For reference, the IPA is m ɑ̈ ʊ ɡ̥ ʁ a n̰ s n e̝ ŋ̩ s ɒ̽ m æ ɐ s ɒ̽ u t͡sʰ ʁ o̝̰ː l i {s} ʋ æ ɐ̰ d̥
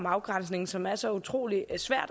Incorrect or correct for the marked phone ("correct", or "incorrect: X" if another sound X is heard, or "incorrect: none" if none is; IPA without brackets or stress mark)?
correct